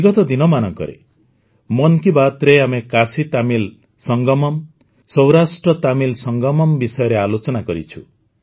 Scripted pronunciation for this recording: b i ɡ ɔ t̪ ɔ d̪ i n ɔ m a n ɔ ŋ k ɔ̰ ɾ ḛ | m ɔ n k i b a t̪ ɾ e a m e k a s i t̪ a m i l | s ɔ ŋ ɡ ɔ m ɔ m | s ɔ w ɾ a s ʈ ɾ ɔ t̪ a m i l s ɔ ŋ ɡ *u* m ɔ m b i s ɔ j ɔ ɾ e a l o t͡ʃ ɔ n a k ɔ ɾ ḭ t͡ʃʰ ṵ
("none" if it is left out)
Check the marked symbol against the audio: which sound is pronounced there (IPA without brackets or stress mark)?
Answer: ɔ